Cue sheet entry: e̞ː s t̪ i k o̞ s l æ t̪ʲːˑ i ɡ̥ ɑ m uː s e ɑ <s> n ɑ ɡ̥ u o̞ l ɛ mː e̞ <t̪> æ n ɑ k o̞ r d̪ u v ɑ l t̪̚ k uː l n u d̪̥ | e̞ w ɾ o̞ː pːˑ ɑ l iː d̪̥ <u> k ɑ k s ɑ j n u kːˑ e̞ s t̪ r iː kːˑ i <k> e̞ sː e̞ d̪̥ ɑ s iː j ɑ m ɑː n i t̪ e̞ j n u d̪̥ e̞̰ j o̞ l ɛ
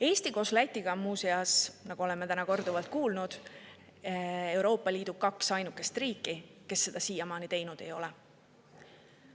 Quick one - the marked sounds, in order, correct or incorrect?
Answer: correct, correct, correct, correct

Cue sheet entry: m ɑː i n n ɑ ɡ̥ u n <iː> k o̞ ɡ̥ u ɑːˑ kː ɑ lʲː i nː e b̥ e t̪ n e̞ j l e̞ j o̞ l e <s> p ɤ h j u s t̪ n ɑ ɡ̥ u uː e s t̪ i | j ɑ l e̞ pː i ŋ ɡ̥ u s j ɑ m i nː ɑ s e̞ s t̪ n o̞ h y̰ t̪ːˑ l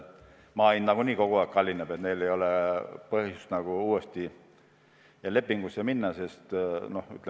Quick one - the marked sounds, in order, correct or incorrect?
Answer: correct, incorrect

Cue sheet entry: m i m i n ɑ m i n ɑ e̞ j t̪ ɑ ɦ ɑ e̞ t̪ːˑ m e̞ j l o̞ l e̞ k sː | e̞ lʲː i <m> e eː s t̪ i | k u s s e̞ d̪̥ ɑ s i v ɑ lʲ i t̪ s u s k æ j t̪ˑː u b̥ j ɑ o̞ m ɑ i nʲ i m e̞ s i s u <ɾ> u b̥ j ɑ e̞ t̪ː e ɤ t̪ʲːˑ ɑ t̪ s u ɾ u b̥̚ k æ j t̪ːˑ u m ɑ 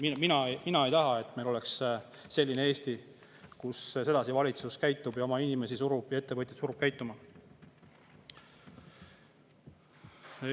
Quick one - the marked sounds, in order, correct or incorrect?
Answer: incorrect, correct

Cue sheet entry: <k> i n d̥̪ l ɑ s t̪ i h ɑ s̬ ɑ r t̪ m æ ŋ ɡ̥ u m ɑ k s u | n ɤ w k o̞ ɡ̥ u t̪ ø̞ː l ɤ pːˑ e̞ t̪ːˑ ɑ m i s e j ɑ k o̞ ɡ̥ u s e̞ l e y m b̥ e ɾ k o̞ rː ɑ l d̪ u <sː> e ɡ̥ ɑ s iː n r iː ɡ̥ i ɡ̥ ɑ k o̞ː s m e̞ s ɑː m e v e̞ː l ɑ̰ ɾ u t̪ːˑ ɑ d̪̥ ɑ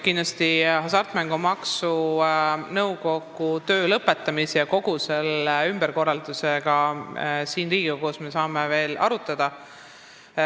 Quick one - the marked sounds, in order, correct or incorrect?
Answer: correct, incorrect

